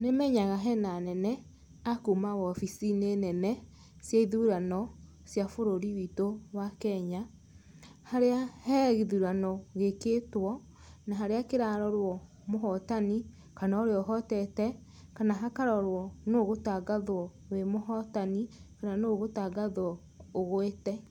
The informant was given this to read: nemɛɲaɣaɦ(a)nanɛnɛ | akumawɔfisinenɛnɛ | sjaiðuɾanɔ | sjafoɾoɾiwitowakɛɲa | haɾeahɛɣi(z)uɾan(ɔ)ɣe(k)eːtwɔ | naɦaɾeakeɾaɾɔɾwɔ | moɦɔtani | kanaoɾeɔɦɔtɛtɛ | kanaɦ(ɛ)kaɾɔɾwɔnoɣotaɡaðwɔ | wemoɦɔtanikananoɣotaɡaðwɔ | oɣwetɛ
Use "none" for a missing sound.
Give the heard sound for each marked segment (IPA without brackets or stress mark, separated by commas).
ɛ, ð, ɔ, k, a